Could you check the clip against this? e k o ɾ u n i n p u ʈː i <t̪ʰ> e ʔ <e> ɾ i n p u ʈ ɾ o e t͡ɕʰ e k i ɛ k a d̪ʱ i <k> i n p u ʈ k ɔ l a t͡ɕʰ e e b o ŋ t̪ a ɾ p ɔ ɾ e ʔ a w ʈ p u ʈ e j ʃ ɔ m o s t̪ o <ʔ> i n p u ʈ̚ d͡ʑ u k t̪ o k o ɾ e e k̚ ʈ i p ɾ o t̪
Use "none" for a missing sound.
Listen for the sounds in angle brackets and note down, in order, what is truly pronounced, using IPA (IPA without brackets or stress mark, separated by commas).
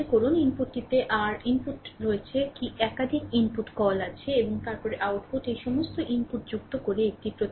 t̪, a, k, ʔ